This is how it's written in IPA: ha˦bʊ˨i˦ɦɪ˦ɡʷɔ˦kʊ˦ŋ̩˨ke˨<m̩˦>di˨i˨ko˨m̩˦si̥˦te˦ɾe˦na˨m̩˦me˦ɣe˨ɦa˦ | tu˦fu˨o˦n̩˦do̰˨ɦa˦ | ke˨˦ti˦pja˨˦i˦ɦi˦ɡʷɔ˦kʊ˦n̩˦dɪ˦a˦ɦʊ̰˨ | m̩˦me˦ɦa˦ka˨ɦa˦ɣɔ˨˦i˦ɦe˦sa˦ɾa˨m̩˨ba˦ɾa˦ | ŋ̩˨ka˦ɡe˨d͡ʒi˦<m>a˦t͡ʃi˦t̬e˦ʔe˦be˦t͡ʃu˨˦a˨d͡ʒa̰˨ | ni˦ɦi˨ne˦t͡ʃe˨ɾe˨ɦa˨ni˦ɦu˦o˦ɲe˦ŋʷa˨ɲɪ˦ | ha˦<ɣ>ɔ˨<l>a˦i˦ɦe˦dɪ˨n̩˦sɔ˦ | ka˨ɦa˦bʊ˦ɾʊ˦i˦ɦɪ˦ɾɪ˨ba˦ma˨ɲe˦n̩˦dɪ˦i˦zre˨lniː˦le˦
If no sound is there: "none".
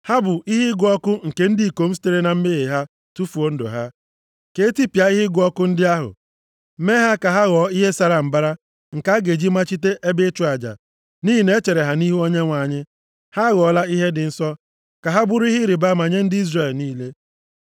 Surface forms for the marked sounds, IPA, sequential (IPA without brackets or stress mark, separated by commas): n̩˦, m, ɣ, l